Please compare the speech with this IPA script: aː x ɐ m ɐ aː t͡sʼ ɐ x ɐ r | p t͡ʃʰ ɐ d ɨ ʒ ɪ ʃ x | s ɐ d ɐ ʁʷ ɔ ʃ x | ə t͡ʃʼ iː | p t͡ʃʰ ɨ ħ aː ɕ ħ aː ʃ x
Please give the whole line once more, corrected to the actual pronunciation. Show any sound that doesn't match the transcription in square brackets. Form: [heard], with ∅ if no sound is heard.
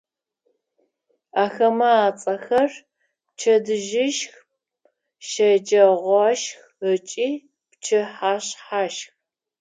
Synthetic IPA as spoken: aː x ɐ m ɐ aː t͡sʼ ɐ x ɐ r | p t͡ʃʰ ɐ d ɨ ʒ ɪ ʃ x | [ʃ] ɐ [d͡ʒ] ɐ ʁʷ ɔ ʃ x | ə t͡ʃʼ iː | p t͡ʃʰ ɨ ħ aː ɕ ħ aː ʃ x